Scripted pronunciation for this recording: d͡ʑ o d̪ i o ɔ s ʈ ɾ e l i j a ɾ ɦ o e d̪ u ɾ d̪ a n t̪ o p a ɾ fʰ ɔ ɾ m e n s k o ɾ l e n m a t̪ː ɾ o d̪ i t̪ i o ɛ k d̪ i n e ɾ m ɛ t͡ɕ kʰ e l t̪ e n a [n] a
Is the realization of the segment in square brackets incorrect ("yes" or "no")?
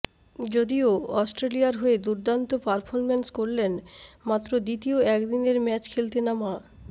yes